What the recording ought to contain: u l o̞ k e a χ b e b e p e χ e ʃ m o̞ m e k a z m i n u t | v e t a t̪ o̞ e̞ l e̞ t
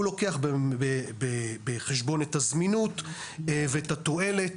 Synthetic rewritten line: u l o̞ k e a χ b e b e b e χ e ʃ b o̞ n e t a z m i n u t | v e t a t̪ o̞ e̞ l e̞ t